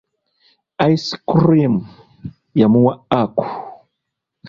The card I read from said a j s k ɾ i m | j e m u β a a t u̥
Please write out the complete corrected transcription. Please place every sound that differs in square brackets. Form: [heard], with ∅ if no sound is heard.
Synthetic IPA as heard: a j s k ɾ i m | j [a] m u [w] a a [k] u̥